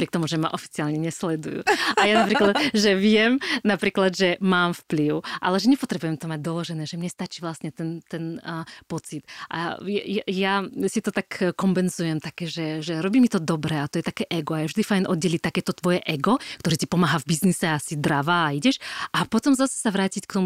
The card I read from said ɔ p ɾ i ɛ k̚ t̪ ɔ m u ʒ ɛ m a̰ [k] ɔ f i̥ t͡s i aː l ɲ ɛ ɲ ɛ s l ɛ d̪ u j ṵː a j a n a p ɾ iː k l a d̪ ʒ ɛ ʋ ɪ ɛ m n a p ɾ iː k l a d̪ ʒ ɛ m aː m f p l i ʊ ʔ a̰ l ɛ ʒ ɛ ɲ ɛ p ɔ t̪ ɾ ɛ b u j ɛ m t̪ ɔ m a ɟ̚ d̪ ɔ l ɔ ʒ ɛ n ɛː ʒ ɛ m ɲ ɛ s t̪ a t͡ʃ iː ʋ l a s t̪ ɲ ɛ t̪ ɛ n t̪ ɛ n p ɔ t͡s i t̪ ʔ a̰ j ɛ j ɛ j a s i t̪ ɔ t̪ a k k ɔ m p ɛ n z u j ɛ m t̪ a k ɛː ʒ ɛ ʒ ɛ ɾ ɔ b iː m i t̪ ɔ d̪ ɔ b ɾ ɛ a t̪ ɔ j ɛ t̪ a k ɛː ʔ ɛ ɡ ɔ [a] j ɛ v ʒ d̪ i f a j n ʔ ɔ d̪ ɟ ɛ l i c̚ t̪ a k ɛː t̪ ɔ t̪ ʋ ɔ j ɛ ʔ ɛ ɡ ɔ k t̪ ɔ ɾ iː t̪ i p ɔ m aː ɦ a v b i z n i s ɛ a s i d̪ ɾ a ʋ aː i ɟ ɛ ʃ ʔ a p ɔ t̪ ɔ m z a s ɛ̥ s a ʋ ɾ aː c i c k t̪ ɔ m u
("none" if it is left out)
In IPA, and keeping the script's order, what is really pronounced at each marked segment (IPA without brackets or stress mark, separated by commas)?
ʔ, a